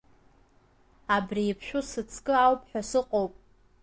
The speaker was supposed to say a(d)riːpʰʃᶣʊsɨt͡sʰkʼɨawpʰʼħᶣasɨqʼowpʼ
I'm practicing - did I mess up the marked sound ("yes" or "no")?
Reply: yes